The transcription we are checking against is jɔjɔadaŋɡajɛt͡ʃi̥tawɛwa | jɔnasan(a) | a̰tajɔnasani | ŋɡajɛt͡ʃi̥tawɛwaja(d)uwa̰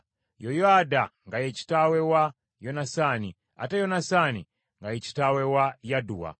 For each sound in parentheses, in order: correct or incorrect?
incorrect: i, correct

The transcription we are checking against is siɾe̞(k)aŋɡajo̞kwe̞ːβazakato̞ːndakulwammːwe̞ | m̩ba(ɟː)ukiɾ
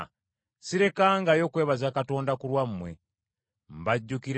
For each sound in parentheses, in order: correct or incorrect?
correct, correct

